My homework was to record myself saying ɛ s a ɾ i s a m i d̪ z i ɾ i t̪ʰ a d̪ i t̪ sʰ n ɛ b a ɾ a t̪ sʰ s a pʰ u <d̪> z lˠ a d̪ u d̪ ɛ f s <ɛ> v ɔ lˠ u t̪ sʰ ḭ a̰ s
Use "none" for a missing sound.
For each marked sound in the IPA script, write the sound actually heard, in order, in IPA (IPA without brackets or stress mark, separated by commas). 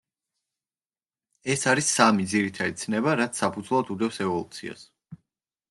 d̪, ɛ